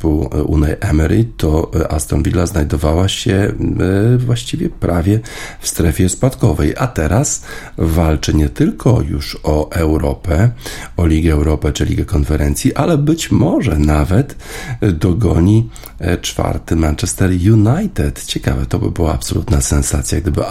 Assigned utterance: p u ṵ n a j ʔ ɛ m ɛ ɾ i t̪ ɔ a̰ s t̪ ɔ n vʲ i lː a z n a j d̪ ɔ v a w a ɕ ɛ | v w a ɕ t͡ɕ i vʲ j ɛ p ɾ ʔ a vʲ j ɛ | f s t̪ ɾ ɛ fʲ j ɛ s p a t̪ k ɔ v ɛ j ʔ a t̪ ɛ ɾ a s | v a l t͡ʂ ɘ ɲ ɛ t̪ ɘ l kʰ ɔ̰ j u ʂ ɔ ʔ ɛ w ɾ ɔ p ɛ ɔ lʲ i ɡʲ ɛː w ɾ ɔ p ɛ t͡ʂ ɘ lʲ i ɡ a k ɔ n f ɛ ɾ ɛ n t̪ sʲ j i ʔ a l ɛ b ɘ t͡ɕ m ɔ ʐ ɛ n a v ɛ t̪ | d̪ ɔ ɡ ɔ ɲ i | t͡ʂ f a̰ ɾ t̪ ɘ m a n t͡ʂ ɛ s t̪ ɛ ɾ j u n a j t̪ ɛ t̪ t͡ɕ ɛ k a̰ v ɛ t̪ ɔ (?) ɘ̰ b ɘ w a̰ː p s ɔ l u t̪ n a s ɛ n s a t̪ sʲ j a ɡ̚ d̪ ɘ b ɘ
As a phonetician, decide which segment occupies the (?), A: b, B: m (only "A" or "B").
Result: A